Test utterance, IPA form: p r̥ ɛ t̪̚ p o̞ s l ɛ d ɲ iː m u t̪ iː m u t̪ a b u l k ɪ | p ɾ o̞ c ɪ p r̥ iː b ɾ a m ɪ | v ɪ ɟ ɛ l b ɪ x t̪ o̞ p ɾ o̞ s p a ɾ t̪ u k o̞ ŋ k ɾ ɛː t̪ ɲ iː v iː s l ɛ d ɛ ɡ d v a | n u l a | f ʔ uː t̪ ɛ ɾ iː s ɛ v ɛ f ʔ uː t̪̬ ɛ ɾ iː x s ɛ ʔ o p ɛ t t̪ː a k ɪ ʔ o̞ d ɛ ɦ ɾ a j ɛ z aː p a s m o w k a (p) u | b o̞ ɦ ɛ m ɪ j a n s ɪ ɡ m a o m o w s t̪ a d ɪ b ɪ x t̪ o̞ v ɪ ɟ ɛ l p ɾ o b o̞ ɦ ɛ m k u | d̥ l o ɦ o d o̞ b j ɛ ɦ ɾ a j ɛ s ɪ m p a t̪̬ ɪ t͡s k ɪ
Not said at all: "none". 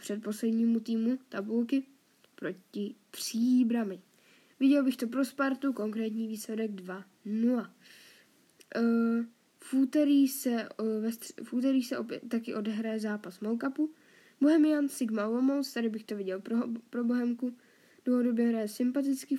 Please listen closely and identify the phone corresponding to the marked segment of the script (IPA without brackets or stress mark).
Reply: p